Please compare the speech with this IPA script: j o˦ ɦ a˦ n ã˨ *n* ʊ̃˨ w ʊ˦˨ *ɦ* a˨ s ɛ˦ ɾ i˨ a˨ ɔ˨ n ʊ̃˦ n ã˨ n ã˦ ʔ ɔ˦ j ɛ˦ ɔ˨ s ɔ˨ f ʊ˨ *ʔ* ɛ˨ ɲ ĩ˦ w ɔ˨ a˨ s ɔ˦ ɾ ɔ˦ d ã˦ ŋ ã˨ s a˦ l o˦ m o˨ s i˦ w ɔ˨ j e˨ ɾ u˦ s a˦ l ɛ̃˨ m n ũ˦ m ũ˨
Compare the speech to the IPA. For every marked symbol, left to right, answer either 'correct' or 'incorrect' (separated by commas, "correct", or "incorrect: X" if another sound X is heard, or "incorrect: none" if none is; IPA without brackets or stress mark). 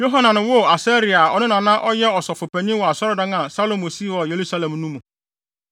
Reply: correct, incorrect: none, incorrect: p